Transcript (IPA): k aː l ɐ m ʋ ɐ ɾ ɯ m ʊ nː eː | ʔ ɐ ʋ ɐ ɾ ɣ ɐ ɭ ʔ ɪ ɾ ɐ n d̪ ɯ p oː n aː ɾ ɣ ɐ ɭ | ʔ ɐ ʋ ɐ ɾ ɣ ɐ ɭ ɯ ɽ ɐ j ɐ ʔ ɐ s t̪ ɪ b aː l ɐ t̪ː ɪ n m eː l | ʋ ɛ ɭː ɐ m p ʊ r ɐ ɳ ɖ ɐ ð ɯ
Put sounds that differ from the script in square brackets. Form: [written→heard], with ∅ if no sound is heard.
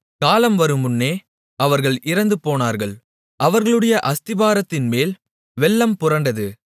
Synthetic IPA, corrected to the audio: k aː l ɐ m ʋ ɐ ɾ ɯ m ʊ nː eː | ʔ ɐ ʋ ɐ ɾ ɣ ɐ ɭ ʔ ɪ ɾ ɐ n d̪ ɯ p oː n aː ɾ ɣ ɐ ɭ | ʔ ɐ ʋ ɐ ɾ ɣ ɐ ɭ ɯ ɽ ɐ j ɐ ʔ ɐ s t̪ ɪ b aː [l→ɾ] ɐ t̪ː ɪ n m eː l | ʋ ɛ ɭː ɐ m p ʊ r ɐ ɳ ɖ ɐ ð ɯ